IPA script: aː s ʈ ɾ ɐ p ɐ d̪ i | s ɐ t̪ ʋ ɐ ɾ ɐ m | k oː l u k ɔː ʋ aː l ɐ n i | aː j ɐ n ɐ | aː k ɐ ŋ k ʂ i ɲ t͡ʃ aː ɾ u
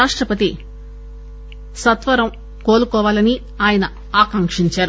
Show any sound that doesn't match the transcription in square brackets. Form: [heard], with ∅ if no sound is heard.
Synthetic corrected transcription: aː [ʂ] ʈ ɾ ɐ p ɐ [t̪] i | s ɐ t̪ ʋ ɐ ɾ ɐ m | k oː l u k ɔː ʋ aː l ɐ n i | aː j ɐ n ɐ | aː k ɐ ŋ k ʂ i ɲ t͡ʃ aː ɾ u